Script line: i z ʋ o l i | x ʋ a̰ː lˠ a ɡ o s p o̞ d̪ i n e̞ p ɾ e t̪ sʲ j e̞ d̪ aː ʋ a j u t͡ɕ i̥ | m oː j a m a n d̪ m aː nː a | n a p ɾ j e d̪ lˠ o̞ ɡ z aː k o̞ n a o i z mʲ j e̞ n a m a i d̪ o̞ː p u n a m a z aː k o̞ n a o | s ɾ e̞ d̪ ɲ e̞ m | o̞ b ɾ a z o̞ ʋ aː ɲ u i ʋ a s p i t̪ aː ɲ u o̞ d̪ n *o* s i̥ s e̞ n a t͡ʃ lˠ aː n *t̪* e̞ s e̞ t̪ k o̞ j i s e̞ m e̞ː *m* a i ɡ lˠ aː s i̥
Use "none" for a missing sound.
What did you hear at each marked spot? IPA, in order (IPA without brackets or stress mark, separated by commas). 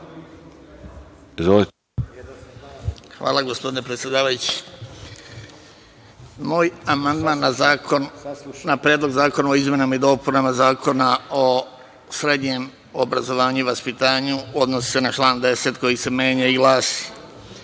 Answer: o, d̪, ɲ